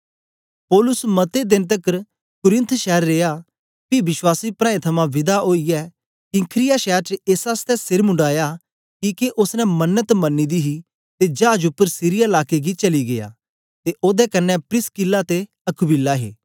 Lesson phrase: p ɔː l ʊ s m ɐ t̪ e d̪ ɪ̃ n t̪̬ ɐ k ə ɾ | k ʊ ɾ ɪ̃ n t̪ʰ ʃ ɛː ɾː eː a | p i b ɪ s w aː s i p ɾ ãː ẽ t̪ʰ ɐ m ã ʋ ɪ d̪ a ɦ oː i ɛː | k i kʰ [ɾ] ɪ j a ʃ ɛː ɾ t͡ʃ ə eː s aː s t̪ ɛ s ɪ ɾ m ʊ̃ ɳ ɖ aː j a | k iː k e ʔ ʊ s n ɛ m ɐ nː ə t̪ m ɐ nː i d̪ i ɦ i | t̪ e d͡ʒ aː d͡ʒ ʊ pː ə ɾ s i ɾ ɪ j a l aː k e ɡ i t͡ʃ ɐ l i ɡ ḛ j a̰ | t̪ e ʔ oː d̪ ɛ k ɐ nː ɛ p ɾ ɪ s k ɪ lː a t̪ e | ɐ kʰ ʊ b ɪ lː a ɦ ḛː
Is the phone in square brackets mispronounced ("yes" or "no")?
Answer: no